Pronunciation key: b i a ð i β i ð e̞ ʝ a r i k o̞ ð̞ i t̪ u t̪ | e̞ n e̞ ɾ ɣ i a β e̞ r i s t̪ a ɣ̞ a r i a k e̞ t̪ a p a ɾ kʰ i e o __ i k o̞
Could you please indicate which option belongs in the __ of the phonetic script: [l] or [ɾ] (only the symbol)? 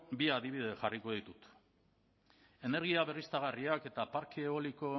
l